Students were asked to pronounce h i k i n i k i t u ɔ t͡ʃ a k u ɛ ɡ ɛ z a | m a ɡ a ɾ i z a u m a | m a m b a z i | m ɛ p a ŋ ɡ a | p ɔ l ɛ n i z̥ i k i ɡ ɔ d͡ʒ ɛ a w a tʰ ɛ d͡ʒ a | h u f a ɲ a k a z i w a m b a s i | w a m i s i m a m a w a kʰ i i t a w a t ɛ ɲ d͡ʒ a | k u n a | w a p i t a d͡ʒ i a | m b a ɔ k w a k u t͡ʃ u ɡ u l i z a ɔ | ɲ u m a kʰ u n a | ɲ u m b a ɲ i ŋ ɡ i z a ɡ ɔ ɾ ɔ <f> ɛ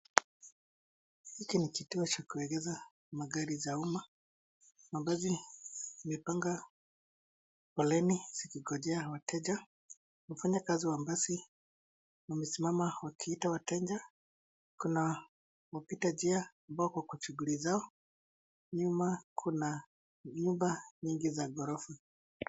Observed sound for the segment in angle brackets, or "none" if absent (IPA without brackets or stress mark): f